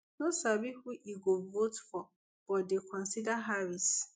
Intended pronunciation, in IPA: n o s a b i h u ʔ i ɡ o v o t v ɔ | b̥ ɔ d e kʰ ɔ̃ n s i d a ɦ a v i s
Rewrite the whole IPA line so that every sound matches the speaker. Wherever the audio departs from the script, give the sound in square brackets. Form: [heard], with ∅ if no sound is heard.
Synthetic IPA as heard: n o s a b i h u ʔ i ɡ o v o t [f] ɔ | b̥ ɔ d e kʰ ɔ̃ n s i d a ɦ a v i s